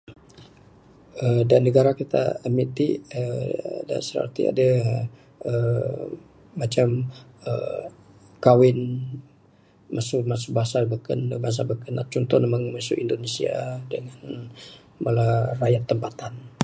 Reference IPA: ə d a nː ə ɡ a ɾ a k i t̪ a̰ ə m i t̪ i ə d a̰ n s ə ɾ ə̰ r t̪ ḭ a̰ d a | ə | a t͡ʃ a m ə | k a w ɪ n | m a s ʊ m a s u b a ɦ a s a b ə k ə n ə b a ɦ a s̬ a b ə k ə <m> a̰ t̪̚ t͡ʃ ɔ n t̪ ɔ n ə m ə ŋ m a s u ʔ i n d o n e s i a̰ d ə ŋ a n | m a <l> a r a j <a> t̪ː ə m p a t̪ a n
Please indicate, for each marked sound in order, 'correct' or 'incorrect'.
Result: incorrect, correct, correct

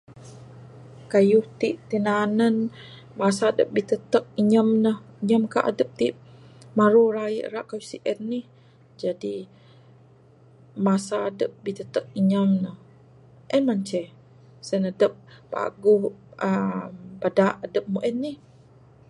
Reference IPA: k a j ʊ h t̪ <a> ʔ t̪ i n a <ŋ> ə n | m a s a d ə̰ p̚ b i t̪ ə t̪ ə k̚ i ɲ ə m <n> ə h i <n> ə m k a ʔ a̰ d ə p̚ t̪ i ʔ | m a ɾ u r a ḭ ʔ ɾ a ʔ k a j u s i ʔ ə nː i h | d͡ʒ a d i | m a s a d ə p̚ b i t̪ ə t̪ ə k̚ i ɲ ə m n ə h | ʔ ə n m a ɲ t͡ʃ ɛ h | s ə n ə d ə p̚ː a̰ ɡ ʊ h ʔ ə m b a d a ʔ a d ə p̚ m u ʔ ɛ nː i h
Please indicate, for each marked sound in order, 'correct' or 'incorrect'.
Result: incorrect, incorrect, correct, incorrect

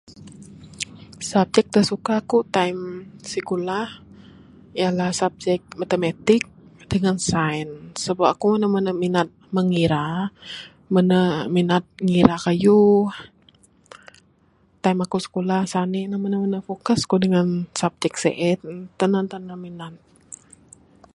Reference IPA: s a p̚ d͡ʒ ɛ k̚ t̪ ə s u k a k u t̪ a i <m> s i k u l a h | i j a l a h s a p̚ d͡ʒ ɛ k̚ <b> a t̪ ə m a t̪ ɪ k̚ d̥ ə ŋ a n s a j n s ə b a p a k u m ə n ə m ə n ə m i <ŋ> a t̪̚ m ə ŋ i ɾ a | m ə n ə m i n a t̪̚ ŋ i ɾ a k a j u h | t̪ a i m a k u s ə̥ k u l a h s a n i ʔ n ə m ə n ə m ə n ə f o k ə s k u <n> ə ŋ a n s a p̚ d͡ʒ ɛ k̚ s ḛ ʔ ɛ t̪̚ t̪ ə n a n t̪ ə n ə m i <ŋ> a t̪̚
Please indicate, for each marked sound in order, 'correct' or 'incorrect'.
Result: correct, incorrect, incorrect, incorrect, incorrect

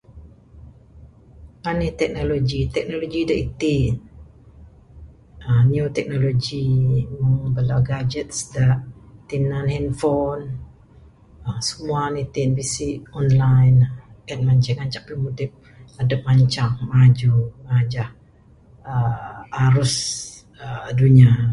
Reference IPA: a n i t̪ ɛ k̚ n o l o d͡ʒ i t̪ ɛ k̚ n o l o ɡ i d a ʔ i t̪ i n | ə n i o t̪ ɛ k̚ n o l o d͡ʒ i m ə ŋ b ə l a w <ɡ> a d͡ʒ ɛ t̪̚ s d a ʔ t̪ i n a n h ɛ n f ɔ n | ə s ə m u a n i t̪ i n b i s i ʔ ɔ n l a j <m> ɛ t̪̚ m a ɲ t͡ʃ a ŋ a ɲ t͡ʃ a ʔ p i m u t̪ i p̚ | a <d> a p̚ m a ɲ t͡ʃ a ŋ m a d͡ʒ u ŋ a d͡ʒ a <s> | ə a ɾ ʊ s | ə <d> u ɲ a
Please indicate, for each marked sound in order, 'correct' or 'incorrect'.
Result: correct, incorrect, correct, incorrect, correct

